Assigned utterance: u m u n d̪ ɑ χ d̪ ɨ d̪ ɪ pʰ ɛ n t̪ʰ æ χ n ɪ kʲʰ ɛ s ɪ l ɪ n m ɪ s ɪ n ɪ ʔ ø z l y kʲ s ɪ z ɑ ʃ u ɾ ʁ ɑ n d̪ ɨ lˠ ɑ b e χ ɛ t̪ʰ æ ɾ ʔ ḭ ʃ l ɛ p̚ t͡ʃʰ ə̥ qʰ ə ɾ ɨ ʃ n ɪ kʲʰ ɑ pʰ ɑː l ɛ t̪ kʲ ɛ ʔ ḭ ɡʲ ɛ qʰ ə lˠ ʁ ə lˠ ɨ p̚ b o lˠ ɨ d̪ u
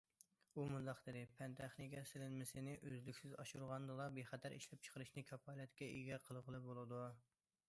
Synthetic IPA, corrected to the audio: u m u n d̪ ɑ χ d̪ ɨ d̪ ɪ pʰ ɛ n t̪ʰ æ χ n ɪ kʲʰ ɛ s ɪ l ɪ n m ɪ s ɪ n ɪ ʔ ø z l y kʲ s ɪ z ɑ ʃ u ɾ ʁ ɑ n d̪ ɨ lˠ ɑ b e χ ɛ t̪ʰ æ ɾ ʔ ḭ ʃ l ɛ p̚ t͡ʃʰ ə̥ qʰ ə ɾ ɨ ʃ n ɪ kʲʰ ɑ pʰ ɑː l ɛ t̪ kʲ ɛ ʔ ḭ ɡʲ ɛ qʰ ə lˠ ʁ ə lˠ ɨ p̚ b o lˠ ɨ d̪ u